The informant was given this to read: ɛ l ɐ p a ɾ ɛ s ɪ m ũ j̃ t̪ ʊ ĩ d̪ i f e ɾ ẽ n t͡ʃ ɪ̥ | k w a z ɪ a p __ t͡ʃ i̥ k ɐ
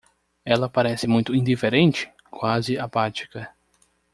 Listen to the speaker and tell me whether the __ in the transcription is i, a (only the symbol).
a